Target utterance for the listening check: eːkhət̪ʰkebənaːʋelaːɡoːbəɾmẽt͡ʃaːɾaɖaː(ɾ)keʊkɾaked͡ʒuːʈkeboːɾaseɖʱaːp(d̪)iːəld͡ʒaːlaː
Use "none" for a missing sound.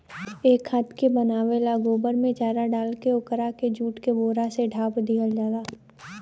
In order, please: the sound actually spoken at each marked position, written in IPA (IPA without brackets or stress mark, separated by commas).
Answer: l, d̪